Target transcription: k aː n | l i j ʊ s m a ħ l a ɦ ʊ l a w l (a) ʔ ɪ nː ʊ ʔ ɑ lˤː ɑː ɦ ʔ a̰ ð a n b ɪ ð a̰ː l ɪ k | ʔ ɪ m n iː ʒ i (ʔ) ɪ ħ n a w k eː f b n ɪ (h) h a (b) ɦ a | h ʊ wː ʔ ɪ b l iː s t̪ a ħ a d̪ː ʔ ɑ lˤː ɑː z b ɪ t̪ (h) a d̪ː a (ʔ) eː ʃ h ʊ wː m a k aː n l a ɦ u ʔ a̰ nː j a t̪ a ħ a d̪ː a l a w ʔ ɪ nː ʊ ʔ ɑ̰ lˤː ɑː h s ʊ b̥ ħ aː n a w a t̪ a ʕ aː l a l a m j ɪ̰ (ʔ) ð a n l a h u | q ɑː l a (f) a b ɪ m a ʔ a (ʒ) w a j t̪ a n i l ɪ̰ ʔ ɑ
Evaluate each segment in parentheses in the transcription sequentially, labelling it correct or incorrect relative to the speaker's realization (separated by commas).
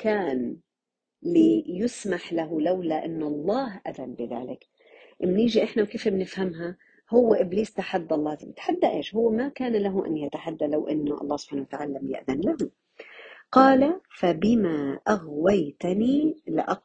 correct, correct, incorrect, incorrect, incorrect, correct, correct, correct, incorrect